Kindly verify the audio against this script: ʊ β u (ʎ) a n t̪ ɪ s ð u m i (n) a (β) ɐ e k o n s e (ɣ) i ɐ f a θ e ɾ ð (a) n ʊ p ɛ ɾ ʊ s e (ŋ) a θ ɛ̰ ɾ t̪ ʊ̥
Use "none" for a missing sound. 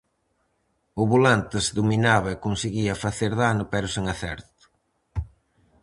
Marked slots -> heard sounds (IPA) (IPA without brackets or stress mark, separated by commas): l, n, β, ɣ, a, ŋ